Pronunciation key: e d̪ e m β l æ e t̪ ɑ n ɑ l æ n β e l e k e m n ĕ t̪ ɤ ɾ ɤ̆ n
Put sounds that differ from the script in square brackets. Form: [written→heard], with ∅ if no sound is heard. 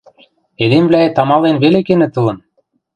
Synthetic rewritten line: e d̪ e m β l æ e t̪ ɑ [n→m] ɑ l [æ→e] n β e l e k e [m→∅] n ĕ t̪ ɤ [ɾ→l] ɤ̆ n